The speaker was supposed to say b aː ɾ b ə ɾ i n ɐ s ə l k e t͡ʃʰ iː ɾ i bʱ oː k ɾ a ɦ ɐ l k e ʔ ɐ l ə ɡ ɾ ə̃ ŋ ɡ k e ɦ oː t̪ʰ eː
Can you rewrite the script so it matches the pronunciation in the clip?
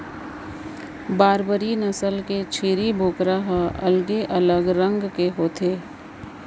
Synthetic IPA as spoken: b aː ɾ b ə ɾ i n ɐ s ə l k e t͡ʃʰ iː ɾ i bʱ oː k ɾ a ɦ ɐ l ɡ e ʔ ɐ l ə ɡ ɾ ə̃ ŋ ɡ k e ɦ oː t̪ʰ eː